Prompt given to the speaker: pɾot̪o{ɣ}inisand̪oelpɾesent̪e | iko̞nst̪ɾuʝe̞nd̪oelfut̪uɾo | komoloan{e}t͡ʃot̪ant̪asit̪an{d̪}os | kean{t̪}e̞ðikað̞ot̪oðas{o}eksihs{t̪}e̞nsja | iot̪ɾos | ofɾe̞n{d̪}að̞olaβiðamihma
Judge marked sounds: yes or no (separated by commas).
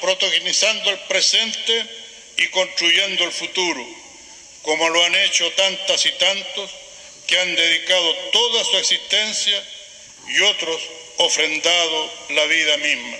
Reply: yes, yes, no, no, no, yes, yes